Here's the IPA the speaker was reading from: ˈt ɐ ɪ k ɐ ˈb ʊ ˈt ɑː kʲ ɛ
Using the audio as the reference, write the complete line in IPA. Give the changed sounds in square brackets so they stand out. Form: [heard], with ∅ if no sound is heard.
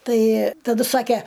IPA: ˈt ɐ ɪ [t] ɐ [ˈd] ʊ [ˈs] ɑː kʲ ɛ